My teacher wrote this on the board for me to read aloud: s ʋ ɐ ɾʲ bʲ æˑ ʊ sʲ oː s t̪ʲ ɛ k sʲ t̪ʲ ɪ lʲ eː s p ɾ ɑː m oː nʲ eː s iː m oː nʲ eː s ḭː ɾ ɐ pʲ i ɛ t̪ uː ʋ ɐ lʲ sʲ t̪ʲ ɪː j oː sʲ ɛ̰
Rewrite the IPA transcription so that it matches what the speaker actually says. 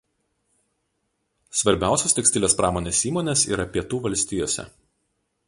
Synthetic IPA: s ʋ ɐ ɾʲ bʲ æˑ ʊ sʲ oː s t̪ʲ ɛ k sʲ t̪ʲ ɪ lʲ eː s p ɾ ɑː m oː nʲ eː s iː m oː nʲ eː s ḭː ɾ ɐ pʲ i ɛ t̪ uː ʋ ɐ lʲ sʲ t̪ʲ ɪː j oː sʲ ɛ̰